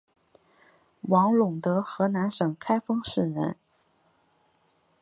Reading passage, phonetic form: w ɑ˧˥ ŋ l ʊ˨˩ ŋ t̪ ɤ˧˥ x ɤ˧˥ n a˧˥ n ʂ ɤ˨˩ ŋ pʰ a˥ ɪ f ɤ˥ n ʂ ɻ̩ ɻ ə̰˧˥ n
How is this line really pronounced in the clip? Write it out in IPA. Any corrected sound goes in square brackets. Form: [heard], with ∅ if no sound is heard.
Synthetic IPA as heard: w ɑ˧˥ ŋ l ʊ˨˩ ŋ t̪ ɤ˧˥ x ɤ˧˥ n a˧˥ n ʂ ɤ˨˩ ŋ [kʰ] a˥ ɪ f ɤ˥ [ŋ] ʂ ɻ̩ ɻ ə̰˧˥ n